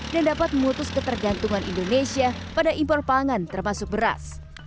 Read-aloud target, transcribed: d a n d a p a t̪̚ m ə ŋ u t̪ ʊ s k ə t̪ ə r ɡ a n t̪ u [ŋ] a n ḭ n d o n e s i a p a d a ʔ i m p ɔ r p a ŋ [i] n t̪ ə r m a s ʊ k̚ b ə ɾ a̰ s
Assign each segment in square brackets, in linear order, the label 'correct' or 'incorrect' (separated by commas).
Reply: correct, incorrect